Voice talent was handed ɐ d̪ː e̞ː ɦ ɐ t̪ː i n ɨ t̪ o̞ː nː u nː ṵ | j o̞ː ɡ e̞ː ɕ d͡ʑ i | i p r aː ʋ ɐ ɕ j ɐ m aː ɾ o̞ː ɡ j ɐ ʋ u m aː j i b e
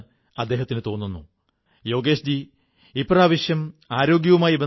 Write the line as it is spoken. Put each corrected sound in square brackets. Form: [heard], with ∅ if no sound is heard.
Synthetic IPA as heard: ɐ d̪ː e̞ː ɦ ɐ t̪ː i n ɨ t̪ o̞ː nː u nː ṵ | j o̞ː ɡ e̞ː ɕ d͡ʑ i | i p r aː ʋ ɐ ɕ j ɐ m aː ɾ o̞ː ɡ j ɐ ʋ u m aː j i b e